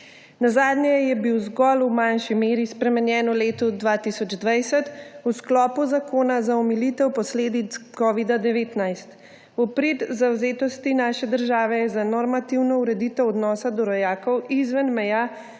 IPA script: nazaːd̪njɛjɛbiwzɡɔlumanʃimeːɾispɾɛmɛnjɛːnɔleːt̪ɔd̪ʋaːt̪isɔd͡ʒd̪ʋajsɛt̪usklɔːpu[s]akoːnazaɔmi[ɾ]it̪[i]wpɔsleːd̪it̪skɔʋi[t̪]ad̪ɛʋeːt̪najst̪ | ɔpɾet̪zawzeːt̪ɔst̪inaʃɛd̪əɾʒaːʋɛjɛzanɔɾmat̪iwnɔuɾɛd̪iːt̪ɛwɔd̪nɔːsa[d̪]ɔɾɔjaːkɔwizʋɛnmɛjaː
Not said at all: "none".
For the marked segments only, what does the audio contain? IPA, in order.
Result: z, l, ɛ, d̪, d̪

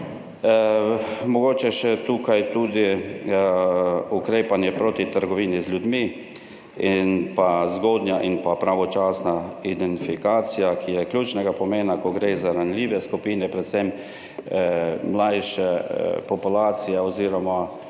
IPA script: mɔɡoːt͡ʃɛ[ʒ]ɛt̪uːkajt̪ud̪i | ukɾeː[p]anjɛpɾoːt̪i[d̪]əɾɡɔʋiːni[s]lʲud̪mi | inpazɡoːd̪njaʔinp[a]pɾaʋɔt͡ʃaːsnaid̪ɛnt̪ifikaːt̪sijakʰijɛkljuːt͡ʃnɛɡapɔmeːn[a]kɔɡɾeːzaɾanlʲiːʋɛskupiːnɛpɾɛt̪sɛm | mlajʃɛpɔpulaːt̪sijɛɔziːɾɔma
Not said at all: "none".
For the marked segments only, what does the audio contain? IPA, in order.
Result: ʃ, p, t̪, z, a, a

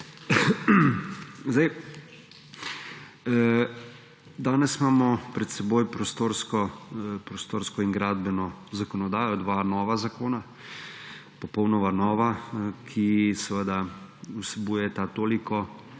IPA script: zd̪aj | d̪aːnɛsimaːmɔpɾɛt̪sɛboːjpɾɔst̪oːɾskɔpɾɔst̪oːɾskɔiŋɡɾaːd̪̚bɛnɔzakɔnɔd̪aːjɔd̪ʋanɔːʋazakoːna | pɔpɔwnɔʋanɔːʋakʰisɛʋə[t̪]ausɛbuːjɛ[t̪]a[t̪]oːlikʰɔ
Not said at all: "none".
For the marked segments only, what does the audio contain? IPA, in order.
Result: d̪, t̪, t̪

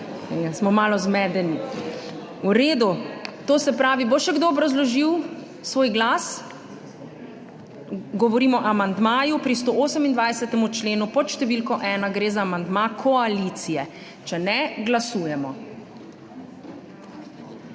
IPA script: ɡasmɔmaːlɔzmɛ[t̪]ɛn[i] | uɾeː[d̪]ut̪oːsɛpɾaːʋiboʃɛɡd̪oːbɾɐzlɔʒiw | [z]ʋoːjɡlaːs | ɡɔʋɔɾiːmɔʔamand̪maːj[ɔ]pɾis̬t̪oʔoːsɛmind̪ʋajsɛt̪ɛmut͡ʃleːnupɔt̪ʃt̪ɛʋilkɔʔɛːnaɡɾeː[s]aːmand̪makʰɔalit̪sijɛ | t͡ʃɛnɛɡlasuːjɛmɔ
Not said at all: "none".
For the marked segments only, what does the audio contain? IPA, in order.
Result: d̪, i, d̪, s, u, z

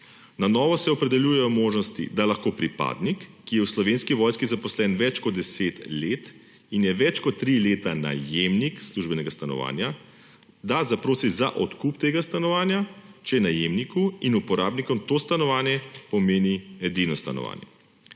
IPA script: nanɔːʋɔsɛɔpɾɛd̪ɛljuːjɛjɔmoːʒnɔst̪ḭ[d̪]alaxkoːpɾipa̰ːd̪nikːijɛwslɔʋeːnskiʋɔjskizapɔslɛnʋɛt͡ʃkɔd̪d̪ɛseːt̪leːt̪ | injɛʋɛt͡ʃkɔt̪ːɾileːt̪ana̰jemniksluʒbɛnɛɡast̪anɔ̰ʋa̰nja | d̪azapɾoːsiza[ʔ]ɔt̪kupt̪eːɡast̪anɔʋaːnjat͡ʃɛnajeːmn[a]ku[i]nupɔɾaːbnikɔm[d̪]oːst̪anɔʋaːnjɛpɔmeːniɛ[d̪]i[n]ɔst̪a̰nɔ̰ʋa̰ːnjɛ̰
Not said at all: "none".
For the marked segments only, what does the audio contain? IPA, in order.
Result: d̪, ʔ, i, i, t̪, d̪, n

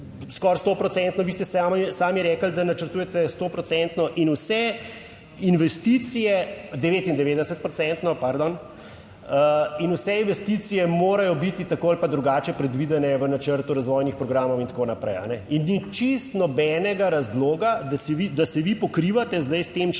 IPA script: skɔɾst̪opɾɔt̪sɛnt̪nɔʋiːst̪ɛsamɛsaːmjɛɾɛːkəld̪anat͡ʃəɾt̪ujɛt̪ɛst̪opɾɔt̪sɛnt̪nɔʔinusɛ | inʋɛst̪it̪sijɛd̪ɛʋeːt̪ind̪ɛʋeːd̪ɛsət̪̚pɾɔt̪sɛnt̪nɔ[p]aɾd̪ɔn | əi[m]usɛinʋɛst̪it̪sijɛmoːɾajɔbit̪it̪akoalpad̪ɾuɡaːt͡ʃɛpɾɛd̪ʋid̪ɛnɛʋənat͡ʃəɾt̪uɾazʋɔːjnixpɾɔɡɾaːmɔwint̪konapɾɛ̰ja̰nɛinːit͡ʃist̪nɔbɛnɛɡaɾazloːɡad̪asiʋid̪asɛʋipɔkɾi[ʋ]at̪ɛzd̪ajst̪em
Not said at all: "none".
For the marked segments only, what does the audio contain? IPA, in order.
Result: p, n, ʋ

